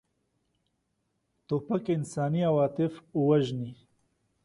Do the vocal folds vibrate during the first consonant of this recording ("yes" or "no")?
no